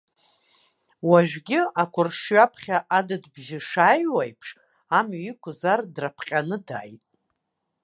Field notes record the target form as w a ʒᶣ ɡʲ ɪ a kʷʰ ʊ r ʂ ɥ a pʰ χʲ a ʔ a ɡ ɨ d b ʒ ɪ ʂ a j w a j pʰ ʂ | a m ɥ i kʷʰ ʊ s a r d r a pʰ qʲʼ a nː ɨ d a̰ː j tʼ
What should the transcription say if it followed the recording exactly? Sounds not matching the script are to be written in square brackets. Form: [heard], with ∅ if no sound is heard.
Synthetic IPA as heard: w a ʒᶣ ɡʲ ɪ a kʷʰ ʊ r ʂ ɥ a pʰ χʲ a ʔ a [d] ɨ d b ʒ ɪ ʂ a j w a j pʰ ʂ | a m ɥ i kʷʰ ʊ [z] a r d r a pʰ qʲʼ a [n] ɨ d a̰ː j tʼ